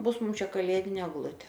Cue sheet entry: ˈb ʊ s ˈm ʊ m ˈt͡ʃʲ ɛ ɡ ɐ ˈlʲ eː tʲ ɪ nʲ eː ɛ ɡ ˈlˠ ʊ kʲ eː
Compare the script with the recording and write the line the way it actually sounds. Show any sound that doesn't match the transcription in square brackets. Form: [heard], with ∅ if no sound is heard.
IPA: ˈb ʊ s ˈm ʊ m ˈt͡ʃʲ ɛ [k] ɐ ˈlʲ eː [dʲ] ɪ nʲ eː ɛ ɡ ˈlˠ ʊ [tʲ] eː